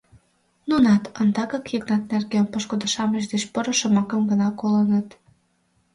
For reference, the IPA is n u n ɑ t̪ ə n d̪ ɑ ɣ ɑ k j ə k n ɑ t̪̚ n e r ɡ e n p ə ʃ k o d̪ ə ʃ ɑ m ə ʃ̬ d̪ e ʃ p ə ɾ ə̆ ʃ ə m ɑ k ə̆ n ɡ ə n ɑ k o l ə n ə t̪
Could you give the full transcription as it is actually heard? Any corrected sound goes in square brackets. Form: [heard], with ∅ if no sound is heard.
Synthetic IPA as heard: n u n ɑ t̪ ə n d̪ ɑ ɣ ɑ k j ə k n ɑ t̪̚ n e r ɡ e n p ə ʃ k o d̪ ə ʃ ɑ m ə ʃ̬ d̪ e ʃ p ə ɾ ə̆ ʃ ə m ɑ k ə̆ [m] ɡ ə n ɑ k o l ə n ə t̪